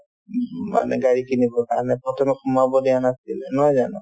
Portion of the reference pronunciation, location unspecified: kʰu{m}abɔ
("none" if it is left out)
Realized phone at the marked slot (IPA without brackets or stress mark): m